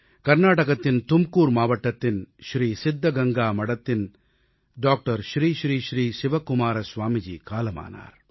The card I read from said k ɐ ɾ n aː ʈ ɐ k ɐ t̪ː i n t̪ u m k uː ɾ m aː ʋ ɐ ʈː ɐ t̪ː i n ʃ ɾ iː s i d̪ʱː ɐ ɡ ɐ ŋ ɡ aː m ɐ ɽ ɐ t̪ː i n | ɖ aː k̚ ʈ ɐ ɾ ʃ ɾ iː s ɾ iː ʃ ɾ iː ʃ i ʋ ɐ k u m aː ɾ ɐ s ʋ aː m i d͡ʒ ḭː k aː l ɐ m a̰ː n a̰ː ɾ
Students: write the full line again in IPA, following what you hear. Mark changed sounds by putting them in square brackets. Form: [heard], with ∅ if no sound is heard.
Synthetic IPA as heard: k ɐ ɾ n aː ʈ ɐ k ɐ t̪ː i n t̪ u m k uː ɾ m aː ʋ ɐ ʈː ɐ t̪ː i n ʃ ɾ iː s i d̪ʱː ɐ ɡ ɐ ŋ ɡ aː m ɐ ɽ ɐ t̪ː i n | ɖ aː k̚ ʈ ɐ ɾ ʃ ɾ iː [ʃ] ɾ iː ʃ ɾ iː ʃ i ʋ ɐ k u m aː ɾ ɐ s ʋ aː m i d͡ʒ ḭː k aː l ɐ m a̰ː n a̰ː ɾ